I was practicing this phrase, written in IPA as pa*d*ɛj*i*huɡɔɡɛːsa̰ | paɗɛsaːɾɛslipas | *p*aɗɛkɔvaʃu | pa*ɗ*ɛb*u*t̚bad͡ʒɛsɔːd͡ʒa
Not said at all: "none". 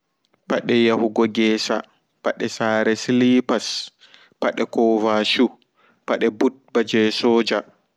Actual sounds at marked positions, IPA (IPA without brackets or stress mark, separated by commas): ɗ, a, p, ɗ, u